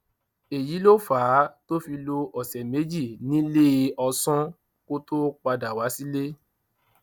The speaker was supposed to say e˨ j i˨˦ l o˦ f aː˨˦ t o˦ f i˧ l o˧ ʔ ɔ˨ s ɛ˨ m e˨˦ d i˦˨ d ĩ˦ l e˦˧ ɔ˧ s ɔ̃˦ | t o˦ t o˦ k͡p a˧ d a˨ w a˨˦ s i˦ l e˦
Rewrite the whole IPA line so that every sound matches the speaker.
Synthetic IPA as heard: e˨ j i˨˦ l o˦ f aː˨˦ t o˦ f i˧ l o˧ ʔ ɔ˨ s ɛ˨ m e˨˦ d͡ʒ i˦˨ n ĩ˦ l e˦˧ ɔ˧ s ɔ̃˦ | k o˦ t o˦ k͡p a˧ d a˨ w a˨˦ s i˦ l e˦